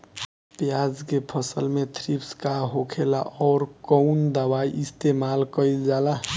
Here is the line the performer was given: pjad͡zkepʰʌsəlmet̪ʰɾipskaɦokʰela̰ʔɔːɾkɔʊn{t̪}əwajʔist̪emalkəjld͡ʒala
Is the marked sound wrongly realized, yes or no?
yes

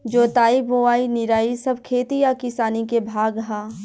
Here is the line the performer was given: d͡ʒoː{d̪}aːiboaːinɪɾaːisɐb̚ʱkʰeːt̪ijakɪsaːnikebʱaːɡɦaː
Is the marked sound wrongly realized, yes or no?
yes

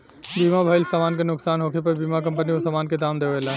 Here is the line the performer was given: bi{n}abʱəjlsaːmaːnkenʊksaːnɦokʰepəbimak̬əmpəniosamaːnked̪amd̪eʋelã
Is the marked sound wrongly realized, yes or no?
yes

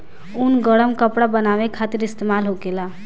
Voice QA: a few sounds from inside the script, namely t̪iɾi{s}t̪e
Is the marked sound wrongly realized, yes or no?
no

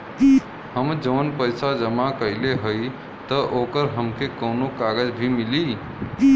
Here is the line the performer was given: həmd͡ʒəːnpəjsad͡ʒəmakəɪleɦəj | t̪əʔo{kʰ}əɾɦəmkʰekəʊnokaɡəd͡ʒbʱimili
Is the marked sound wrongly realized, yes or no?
yes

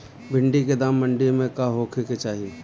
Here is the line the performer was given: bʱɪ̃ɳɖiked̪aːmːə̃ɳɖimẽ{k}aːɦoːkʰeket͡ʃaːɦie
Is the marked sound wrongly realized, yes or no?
no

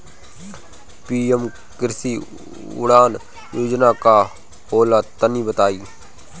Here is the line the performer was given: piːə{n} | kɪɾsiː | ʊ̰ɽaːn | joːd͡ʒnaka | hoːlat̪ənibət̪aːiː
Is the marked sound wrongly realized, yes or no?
yes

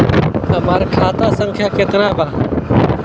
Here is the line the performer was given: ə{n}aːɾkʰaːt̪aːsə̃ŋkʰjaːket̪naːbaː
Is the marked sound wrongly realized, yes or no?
yes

